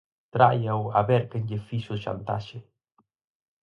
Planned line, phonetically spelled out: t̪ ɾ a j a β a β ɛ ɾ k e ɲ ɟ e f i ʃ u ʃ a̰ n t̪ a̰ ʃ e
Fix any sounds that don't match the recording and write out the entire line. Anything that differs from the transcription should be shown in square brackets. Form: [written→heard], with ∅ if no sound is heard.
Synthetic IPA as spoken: t̪ ɾ a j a [β→w] a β ɛ ɾ k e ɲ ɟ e f i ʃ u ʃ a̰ n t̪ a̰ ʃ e